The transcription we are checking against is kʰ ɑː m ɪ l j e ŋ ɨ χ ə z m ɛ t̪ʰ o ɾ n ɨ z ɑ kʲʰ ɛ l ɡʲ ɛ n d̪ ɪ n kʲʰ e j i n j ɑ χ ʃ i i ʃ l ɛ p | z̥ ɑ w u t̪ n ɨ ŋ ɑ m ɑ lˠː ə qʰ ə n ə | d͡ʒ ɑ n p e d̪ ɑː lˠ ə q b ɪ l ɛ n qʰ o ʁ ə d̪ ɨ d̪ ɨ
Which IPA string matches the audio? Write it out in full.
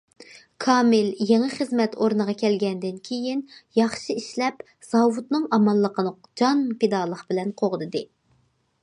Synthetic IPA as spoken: kʰ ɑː m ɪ l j e ŋ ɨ χ ə z m ɛ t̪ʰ o ɾ n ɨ ʁ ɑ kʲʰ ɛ l ɡʲ ɛ n d̪ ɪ n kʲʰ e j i n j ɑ χ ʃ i i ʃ l ɛ p | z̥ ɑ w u t̪ n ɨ ŋ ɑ m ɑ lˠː ə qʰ ə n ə | d͡ʒ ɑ n p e d̪ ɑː lˠ ə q b ɪ l ɛ n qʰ o ʁ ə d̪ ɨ d̪ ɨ